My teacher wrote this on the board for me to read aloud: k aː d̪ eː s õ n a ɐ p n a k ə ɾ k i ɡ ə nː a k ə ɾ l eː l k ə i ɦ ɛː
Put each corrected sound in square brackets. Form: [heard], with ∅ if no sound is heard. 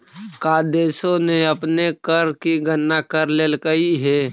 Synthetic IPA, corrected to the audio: k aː d̪ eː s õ n [e] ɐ p n [e] k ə ɾ k i ɡ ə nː a k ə ɾ l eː l k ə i ɦ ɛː